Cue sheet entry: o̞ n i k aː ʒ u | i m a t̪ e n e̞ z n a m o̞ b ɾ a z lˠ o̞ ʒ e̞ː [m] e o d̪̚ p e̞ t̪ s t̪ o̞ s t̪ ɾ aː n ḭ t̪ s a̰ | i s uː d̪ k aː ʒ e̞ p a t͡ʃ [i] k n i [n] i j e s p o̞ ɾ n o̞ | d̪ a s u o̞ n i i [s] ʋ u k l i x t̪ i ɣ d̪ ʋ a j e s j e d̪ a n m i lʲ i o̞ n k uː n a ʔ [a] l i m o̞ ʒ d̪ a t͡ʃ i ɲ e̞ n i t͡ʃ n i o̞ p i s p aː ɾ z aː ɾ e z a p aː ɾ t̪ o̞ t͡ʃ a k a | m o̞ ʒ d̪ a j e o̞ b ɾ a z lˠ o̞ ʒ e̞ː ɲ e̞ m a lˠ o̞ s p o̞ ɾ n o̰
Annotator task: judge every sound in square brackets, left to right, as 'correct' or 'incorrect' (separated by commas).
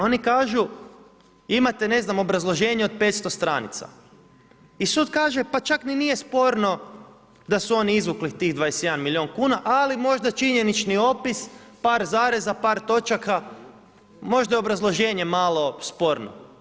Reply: incorrect, incorrect, correct, incorrect, correct